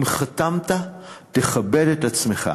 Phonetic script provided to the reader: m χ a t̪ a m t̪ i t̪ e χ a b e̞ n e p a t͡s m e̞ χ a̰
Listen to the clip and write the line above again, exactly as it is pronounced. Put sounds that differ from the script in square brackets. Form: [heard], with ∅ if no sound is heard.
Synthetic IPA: m χ a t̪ a m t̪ [a] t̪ e χ a b e̞ [d] e [t] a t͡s m e̞ χ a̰